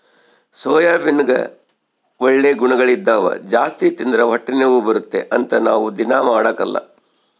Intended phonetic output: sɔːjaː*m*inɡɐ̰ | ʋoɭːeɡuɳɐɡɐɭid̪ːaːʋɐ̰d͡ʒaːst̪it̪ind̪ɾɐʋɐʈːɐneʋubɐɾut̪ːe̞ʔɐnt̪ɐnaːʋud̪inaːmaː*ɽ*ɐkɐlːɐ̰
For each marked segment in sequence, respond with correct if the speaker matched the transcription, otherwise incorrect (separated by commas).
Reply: incorrect, correct